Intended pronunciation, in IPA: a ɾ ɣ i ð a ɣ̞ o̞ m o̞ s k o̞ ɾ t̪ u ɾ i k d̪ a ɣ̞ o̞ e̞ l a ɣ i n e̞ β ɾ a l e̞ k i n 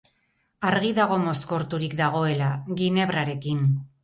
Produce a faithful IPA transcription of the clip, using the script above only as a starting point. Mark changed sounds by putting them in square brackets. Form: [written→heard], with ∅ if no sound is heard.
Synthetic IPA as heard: a ɾ ɣ i ð a ɣ̞ o̞ m o̞ s k o̞ ɾ t̪ u ɾ i k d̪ a ɣ̞ o̞ e̞ l a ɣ i n e̞ β ɾ a [l→ɾ] e̞ k i n